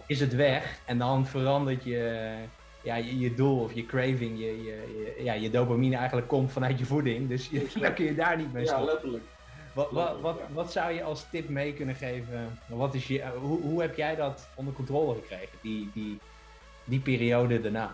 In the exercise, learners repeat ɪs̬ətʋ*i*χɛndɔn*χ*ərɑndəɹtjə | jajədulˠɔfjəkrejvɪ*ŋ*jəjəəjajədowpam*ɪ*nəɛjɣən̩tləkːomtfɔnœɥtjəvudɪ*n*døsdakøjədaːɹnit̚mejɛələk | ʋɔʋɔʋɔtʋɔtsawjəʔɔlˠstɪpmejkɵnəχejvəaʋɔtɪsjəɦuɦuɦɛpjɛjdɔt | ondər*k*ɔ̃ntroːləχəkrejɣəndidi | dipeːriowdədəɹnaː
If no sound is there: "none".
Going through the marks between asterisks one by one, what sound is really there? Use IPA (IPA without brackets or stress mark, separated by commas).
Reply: ɛ, f, ŋ, i, ŋ, k